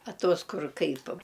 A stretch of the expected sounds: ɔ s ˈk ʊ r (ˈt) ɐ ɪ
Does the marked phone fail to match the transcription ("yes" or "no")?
yes